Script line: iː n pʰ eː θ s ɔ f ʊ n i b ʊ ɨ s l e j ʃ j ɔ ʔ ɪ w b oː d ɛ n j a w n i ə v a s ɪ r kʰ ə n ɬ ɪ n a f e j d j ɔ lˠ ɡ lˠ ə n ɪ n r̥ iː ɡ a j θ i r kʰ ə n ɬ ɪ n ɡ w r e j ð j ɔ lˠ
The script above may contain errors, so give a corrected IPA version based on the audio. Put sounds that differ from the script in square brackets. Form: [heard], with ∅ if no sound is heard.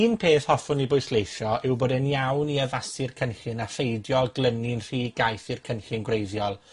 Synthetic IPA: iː n pʰ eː θ [h] ɔ f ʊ n i b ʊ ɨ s l e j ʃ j ɔ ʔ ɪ w b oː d ɛ n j a w n i ə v a s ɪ r kʰ ə n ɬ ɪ n a f e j d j ɔ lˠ ɡ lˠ ə n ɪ n r̥ iː ɡ a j θ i r kʰ ə n ɬ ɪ n ɡ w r e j ð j ɔ lˠ